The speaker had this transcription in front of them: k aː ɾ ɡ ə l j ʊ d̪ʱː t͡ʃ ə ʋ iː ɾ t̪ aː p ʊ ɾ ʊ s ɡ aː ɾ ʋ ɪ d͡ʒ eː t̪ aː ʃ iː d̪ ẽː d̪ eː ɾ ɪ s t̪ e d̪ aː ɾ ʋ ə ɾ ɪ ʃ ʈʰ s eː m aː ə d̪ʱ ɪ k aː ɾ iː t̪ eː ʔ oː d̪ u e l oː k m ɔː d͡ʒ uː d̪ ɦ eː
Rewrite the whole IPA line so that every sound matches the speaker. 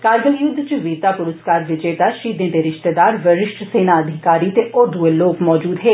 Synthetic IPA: k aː ɾ ɡ ə l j ʊ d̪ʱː t͡ʃ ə ʋ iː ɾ t̪ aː p ʊ ɾ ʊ s k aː ɾ ʋ ɪ d͡ʒ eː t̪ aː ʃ iː d̪ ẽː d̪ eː ɾ ɪ ʃ t̪ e d̪ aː ɾ ʋ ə ɾ ɪ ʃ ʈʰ s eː n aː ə d̪ʱ ɪ k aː ɾ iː t̪ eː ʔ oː d̪ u e l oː k m ɔː d͡ʒ uː d̪ ɦ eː